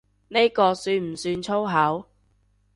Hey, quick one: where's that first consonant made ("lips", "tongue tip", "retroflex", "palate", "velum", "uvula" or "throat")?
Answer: tongue tip